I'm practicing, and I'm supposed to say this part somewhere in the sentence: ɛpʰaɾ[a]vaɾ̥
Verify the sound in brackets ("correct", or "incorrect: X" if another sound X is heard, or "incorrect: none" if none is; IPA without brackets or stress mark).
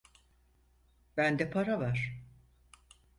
correct